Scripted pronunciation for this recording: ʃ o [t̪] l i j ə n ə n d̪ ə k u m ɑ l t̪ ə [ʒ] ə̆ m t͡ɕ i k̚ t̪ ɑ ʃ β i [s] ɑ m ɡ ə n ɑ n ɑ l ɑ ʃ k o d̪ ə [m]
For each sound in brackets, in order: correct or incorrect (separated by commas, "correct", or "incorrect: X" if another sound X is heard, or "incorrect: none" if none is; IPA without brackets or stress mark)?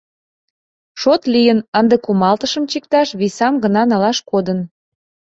correct, incorrect: ʃ, correct, incorrect: n